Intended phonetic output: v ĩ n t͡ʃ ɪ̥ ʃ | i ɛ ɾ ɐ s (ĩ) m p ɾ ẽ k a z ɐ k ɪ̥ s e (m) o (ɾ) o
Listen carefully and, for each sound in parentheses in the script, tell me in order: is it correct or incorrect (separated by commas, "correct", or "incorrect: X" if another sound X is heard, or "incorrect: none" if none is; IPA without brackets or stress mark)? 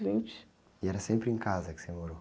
incorrect: ẽ, correct, correct